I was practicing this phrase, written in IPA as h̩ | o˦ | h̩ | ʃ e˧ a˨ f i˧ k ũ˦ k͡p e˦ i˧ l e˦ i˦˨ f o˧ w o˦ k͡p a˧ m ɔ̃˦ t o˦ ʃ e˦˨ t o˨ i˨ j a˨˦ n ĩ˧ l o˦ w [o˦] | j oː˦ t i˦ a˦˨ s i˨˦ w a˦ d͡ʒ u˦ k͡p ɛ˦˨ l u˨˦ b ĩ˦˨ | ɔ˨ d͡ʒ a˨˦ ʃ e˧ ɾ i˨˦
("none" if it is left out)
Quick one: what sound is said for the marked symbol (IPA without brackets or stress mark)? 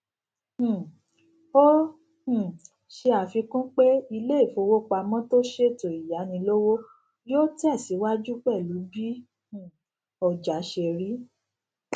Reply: o˦